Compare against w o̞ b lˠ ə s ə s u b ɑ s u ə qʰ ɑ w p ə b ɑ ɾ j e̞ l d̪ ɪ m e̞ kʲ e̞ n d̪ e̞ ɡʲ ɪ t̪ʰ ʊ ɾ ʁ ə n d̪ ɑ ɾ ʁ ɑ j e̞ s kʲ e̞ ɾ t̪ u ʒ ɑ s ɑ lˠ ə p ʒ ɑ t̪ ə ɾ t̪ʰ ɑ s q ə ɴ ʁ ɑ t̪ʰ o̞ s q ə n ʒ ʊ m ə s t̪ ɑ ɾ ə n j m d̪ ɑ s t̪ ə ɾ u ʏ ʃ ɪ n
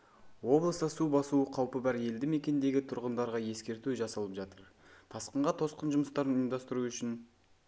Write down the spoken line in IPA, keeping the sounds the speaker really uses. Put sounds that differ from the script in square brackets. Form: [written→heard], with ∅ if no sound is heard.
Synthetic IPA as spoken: w o̞ b lˠ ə s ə s u b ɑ s u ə qʰ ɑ w p ə b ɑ ɾ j e̞ l d̪ ɪ m e̞ kʲ e̞ n d̪ e̞ ɡʲ ɪ t̪ʰ ʊ ɾ ʁ ə n d̪ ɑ ɾ ʁ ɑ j e̞ s kʲ e̞ ɾ t̪ u ʒ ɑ s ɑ lˠ ə p ʒ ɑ t̪ ə ɾ t̪ʰ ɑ s q ə ɴ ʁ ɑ t̪ʰ o̞ s q ə n ʒ ʊ m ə s t̪ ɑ ɾ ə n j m d̪ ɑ s t̪ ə ɾ u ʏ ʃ ɪ n

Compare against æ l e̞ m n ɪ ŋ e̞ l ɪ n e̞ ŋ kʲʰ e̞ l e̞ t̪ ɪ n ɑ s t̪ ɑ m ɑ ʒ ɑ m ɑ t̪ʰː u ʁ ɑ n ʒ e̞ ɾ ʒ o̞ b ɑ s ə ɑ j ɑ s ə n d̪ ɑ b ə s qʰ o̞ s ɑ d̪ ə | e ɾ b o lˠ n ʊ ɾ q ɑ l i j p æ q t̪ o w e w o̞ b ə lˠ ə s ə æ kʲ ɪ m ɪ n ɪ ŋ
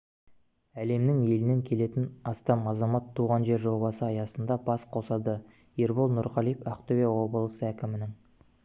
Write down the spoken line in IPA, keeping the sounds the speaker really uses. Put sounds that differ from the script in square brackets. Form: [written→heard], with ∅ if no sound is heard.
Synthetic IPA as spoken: æ l e̞ m n ɪ ŋ e̞ l ɪ n e̞ ŋ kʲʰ e̞ l e̞ t̪ ɪ n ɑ s t̪ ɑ m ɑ [ʒ→z] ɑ m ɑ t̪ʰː u ʁ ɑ n ʒ e̞ ɾ ʒ o̞ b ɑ s ə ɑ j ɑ s ə n d̪ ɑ b [ə→ɑ] s qʰ o̞ s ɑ d̪ ə | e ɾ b o lˠ n ʊ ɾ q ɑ l i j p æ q t̪ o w e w o̞ b ə lˠ ə s ə æ kʲ ɪ m ɪ n ɪ ŋ

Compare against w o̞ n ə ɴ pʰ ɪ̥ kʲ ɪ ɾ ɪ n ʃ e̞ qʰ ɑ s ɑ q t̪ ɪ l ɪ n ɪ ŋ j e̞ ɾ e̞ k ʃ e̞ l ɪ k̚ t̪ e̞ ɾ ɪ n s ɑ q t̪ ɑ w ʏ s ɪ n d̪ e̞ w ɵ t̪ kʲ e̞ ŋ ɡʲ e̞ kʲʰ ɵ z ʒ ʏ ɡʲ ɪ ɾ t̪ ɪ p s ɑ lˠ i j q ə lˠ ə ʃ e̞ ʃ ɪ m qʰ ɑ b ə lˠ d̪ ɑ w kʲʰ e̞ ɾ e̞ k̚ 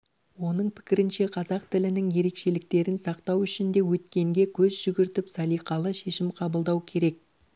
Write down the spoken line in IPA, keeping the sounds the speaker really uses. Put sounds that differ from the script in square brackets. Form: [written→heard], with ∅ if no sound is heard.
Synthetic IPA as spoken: w o̞ n ə ɴ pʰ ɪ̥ kʲ ɪ ɾ ɪ n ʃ e̞ qʰ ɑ [s→z] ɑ q t̪ ɪ l ɪ n ɪ ŋ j e̞ ɾ e̞ k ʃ e̞ l ɪ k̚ t̪ e̞ ɾ ɪ n s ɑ q t̪ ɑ w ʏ [s→ʃ] ɪ n d̪ e̞ w ɵ t̪ kʲ e̞ ŋ ɡʲ e̞ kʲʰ ɵ z ʒ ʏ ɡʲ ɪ ɾ t̪ ɪ p s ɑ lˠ i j q [ə→ɑ] lˠ ə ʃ e̞ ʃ ɪ m qʰ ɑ b ə lˠ d̪ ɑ w kʲʰ e̞ ɾ e̞ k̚

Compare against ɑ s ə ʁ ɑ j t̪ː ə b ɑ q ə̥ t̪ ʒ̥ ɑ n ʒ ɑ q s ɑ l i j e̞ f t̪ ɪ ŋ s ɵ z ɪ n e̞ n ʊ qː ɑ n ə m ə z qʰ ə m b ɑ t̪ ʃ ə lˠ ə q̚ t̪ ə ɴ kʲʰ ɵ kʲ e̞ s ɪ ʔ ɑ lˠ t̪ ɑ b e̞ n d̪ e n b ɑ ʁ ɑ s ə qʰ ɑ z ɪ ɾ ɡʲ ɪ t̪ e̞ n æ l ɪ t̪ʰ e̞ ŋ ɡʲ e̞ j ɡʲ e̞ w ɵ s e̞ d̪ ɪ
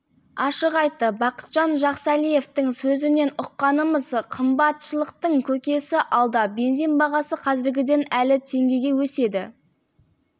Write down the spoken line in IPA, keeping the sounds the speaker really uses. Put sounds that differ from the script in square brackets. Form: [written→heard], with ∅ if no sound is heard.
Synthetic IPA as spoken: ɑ [s→ʃ] ə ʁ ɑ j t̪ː ə b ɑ q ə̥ t̪ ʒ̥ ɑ n ʒ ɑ q s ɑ l i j e̞ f t̪ ɪ ŋ s ɵ z ɪ n e̞ n ʊ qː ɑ n ə m ə z qʰ ə m b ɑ t̪ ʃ ə lˠ ə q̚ t̪ ə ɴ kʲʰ ɵ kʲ e̞ s ɪ ʔ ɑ lˠ [t̪→d̪] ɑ b e̞ n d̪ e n b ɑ ʁ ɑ s ə qʰ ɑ z ɪ ɾ ɡʲ ɪ [t̪→d̪] e̞ n æ l ɪ t̪ʰ e̞ ŋ ɡʲ e̞ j ɡʲ e̞ w ɵ s e̞ d̪ ɪ

